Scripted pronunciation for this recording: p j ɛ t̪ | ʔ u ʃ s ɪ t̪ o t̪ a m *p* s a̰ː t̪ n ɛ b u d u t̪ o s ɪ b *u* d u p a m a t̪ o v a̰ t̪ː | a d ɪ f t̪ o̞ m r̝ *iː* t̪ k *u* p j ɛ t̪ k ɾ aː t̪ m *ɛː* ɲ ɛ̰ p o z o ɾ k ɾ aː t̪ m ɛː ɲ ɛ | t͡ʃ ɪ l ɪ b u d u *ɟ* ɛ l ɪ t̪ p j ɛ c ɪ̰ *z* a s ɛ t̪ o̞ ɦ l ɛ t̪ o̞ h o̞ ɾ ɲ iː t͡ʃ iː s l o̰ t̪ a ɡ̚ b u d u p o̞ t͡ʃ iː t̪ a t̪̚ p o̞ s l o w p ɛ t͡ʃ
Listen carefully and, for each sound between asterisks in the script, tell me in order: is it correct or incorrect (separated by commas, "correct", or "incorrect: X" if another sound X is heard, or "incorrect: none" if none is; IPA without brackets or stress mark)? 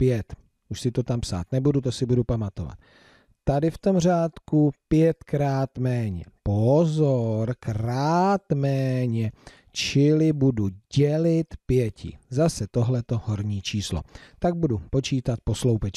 correct, correct, incorrect: aː, correct, correct, correct, correct